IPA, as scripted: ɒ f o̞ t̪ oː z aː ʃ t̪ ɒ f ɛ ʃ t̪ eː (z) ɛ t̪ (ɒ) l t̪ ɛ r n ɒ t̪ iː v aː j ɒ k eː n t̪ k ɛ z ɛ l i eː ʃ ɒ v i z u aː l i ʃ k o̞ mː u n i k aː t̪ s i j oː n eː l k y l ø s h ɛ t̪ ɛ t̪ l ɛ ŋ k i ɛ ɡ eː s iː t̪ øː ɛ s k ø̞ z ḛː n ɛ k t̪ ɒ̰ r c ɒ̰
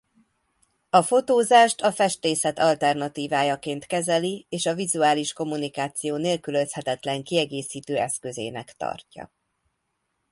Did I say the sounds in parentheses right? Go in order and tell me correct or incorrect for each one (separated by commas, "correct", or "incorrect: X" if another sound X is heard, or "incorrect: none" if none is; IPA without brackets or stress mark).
incorrect: s, correct